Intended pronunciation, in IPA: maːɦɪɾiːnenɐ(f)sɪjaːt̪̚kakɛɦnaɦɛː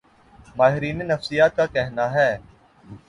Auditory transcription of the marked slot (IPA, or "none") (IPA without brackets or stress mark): f